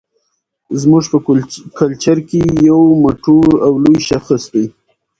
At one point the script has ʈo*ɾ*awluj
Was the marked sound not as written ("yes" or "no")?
no